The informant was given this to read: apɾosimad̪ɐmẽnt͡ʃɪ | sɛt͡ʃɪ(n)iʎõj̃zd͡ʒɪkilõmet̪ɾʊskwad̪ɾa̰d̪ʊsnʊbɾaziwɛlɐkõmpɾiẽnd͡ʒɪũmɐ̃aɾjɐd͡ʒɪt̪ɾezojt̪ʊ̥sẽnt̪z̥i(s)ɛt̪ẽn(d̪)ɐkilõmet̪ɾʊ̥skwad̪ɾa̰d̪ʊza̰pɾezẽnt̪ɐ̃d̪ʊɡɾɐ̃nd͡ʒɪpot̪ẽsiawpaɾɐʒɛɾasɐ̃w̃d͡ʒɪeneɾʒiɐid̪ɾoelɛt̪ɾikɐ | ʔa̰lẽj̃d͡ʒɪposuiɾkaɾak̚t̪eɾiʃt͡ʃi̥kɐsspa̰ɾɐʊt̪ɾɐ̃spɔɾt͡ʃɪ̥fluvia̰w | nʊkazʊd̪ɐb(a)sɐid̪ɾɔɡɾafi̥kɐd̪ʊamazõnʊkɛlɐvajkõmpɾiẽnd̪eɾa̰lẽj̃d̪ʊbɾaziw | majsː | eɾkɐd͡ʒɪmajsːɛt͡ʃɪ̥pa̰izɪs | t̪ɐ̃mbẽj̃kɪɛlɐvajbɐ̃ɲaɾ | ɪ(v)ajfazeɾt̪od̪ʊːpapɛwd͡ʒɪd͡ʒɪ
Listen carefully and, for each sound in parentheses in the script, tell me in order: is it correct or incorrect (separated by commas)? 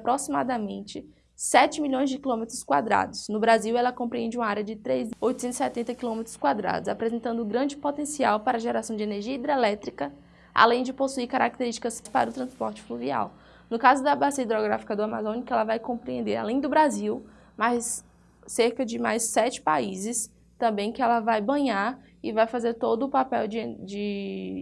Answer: incorrect, correct, incorrect, correct, correct